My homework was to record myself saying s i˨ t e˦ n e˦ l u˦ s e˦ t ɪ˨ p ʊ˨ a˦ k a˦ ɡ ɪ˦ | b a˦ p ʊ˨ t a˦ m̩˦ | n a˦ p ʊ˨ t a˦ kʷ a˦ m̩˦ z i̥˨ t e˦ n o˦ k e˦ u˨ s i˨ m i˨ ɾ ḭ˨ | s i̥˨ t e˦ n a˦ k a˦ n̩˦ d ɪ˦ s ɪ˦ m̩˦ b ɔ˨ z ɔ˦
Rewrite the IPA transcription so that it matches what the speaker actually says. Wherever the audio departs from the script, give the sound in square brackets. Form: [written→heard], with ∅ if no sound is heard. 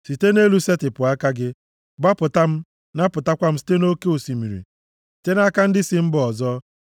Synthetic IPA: s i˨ t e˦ n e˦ l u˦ s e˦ t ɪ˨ p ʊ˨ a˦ k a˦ ɡ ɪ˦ | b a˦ p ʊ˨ t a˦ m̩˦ | n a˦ p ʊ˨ t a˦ kʷ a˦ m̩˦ [z→s] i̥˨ t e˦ n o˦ k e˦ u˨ s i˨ m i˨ ɾ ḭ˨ | s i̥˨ t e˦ n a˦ k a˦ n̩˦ d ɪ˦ s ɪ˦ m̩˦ b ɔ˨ z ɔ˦